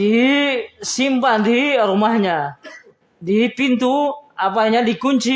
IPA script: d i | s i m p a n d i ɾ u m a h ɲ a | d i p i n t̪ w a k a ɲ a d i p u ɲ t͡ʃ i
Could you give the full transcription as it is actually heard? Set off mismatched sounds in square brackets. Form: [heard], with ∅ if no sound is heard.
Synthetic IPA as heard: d i | s i m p a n d i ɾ u m a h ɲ a | d i p i n t̪ [u] a [p] a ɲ a d i [k] u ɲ t͡ʃ i